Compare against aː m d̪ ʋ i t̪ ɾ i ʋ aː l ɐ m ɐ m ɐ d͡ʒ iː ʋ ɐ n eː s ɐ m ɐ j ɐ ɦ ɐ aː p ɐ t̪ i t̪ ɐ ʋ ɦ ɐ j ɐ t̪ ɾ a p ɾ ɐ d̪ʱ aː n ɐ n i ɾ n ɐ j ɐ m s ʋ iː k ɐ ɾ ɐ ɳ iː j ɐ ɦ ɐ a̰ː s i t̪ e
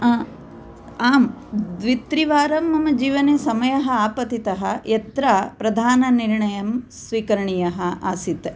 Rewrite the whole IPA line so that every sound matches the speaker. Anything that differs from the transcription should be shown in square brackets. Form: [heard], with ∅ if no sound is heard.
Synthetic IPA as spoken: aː m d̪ ʋ i t̪ ɾ i ʋ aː [ɾ] ɐ m ɐ m ɐ d͡ʒ iː ʋ ɐ n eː s ɐ m ɐ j ɐ ɦ ɐ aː p ɐ t̪ i t̪ ɐ [∅] ɦ ɐ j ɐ t̪ ɾ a p ɾ ɐ d̪ʱ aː n ɐ n i ɾ [ɳ] ɐ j ɐ m s ʋ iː k ɐ ɾ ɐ ɳ [i] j ɐ ɦ ɐ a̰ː s i t̪ e